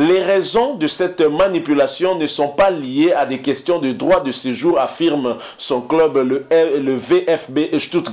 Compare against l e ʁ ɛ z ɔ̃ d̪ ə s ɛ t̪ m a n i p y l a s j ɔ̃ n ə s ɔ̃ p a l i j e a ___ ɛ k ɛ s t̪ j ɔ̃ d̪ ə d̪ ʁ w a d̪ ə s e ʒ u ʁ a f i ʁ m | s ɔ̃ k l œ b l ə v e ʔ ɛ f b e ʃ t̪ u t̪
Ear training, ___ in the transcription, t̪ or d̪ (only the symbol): d̪